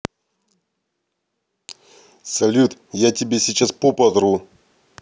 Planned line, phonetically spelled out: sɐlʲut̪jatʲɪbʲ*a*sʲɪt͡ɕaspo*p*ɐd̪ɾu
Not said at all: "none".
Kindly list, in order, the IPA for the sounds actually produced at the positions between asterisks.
e, p

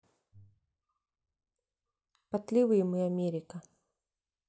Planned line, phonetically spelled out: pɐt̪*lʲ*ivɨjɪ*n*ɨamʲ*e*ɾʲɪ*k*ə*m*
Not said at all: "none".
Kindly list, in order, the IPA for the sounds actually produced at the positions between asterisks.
lʲ, m, e, k, none

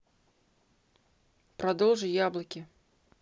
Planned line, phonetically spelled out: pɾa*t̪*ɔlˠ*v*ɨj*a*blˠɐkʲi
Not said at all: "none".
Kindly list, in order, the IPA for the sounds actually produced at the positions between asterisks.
d̪, ʐ, a

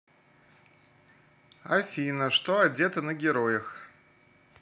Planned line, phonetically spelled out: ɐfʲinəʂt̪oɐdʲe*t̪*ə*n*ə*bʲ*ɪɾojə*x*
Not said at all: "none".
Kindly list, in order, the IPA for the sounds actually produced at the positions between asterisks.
t̪, n, ɡʲ, x

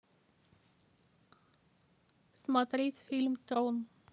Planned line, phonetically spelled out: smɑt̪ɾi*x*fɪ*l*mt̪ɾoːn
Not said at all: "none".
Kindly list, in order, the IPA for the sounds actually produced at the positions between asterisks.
s, l

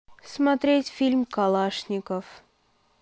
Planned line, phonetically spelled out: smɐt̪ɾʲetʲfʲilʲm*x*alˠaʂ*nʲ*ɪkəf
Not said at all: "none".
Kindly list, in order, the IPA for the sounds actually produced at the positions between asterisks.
k, nʲ

